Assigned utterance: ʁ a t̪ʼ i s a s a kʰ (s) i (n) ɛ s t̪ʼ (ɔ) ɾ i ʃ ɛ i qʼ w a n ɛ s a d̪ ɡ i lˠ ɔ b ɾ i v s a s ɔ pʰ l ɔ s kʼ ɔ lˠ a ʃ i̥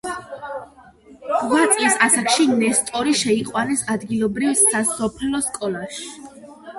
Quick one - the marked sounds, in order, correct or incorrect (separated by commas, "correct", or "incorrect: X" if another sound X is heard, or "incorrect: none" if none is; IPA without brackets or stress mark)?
incorrect: ʃ, correct, correct